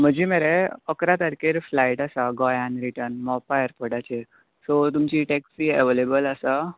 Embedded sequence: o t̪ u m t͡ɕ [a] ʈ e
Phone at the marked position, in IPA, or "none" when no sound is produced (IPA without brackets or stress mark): i